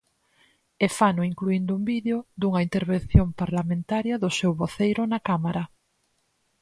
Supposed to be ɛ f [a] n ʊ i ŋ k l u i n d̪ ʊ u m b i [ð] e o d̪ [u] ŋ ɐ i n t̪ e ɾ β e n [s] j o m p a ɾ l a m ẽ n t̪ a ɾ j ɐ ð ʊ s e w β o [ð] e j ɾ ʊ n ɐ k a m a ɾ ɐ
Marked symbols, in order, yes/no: yes, yes, yes, no, no

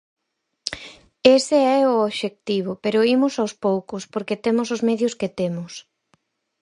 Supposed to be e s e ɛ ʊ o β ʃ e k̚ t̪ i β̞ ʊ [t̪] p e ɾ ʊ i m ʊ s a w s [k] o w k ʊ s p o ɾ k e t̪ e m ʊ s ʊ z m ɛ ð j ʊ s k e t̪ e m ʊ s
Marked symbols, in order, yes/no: no, no

